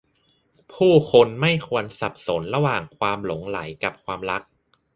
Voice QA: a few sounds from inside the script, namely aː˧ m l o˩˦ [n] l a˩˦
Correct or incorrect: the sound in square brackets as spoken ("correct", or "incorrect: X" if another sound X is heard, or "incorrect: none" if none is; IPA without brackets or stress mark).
incorrect: ŋ